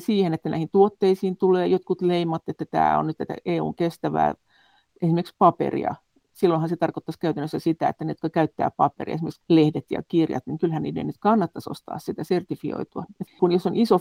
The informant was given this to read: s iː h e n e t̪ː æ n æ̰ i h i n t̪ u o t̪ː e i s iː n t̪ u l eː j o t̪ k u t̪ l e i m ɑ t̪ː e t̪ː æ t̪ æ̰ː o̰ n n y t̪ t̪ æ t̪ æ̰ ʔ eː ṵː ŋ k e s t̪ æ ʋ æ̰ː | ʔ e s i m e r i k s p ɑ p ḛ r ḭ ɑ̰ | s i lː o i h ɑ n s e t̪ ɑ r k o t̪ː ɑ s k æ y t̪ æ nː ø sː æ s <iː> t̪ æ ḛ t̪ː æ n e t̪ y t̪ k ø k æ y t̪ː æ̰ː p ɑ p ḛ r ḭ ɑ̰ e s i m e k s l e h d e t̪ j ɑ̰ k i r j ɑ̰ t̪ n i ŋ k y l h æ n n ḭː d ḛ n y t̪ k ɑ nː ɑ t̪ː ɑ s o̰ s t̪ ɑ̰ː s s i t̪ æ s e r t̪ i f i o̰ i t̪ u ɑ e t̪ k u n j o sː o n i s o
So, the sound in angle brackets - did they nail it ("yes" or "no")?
no